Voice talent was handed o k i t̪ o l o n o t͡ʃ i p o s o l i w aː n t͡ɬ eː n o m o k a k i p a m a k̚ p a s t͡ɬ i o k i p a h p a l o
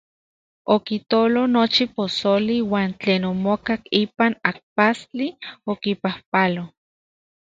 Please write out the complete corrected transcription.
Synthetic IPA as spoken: o k i t̪ o l o n o t͡ʃ i p o s o l i w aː n t͡ɬ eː n o m o k a k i p a n a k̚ p a s t͡ɬ i o k i p a h p a l o